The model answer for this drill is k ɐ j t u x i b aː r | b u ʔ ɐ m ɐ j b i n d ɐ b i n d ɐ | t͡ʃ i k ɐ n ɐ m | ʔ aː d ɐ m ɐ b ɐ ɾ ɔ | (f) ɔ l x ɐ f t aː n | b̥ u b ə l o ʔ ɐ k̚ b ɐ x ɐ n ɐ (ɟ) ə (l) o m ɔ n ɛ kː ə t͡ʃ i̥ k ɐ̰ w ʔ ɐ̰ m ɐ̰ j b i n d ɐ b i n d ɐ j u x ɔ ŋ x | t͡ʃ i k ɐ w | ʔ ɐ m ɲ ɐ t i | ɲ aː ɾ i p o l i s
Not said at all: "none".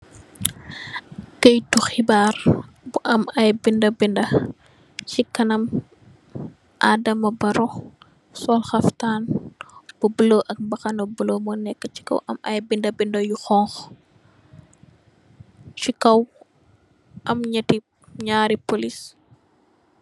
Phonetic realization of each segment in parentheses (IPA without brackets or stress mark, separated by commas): s, b, l